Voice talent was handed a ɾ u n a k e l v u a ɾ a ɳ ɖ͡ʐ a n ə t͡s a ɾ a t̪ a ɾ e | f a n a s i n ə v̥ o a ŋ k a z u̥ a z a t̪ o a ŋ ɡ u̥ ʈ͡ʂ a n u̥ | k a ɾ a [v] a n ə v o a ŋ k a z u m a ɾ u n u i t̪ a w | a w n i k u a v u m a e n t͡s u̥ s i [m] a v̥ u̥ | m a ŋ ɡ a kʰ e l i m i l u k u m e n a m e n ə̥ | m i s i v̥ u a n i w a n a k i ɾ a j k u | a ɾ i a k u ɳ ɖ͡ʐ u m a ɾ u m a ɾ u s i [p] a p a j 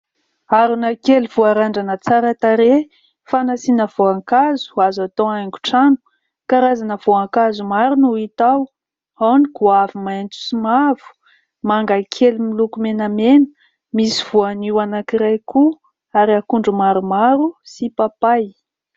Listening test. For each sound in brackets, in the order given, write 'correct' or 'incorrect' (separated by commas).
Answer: incorrect, correct, correct